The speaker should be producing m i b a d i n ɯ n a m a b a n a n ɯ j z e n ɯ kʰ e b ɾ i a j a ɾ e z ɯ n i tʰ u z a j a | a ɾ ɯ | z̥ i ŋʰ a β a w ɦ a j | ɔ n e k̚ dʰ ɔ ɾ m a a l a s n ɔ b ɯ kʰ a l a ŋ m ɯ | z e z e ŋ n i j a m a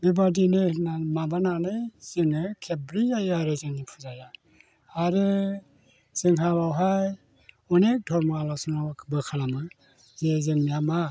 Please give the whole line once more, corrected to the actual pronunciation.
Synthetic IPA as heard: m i b a d i n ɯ n a m a b a n a n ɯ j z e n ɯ kʰ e b ɾ i a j a ɾ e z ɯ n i pʰ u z a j a | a ɾ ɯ | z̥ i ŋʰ a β a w ɦ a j | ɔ n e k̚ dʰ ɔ ɾ m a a l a s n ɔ b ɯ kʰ a l a m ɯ | z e z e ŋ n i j a m a